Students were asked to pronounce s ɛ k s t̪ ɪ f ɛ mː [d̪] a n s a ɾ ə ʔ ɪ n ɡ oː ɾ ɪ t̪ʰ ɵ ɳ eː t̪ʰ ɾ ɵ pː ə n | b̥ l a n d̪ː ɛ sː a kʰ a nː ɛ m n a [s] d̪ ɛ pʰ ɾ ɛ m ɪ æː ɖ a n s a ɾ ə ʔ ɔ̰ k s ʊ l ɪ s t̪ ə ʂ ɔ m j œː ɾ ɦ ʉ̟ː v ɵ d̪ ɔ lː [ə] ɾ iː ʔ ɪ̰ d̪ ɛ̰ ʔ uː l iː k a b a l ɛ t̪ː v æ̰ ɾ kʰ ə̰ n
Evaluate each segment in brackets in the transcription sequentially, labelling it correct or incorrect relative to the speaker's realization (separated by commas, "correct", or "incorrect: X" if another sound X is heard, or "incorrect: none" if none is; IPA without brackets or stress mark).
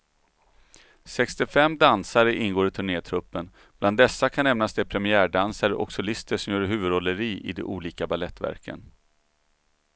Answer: correct, correct, correct